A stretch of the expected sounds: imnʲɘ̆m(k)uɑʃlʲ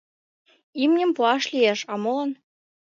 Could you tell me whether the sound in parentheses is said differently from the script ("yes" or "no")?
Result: yes